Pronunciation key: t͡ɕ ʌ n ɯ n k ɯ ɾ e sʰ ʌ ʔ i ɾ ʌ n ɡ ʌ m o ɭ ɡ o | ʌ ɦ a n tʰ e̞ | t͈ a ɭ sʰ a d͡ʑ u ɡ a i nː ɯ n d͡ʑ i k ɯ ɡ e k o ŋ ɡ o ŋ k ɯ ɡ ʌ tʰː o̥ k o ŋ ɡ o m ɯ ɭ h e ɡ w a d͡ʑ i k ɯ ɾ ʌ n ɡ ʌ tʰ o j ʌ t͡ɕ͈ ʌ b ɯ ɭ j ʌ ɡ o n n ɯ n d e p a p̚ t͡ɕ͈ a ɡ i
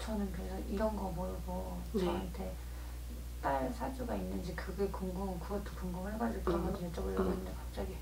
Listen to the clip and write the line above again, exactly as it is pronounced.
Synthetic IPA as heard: t͡ɕ ʌ n ɯ n k ɯ ɾ e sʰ ʌ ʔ i ɾ ʌ n ɡ ʌ m o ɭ ɡ o | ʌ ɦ a n tʰ e̞ | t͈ a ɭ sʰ a d͡ʑ u ɡ a i nː ɯ n d͡ʑ i k ɯ ɡ e k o ŋ ɡ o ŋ k ɯ ɡ ʌ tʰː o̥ k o ŋ ɡ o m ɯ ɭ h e ɡ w a d͡ʑ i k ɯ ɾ ʌ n ɡ ʌ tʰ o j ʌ t͡ɕ͈ ʌ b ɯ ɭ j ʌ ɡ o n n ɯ n d e k a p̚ t͡ɕ͈ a ɡ i